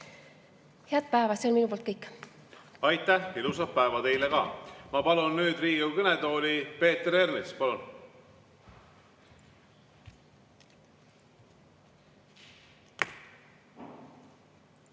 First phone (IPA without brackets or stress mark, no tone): h